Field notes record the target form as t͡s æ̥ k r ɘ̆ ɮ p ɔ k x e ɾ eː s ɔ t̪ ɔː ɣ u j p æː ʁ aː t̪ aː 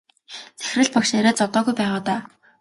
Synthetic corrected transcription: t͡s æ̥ x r ɘ̆ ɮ p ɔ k ʃ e ɾ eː t͡s ɔ t̪ ɔː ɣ u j p æː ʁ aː t̪ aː